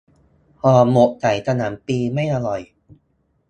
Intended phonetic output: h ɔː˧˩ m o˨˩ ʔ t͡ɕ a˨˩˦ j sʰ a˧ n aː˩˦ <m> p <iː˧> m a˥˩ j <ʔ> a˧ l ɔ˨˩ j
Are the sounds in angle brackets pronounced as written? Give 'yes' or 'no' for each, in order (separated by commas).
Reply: yes, yes, yes